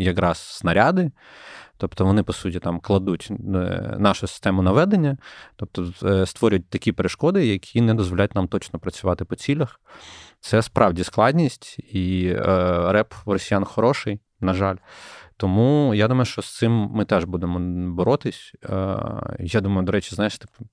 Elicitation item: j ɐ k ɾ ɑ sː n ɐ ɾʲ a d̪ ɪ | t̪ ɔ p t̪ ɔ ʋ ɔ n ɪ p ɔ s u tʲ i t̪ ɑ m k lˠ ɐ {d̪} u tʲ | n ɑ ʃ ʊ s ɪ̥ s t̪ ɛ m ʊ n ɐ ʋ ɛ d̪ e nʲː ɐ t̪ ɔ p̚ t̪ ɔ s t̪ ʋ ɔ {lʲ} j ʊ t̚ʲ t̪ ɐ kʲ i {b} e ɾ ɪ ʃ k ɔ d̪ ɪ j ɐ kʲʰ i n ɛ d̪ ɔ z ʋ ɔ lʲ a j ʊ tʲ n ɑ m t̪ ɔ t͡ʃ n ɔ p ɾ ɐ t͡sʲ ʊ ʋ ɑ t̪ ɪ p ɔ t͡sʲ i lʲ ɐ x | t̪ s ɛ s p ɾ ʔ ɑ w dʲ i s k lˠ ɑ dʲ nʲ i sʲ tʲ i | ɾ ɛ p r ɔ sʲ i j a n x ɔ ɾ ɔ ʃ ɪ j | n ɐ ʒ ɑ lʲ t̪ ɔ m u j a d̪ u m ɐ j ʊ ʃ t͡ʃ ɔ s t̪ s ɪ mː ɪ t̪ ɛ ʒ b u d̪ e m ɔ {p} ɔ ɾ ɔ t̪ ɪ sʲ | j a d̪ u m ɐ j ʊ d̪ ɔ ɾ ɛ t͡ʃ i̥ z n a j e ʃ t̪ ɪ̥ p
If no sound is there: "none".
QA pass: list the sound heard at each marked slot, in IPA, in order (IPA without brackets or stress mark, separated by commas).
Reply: d̪, ɾʲ, p, b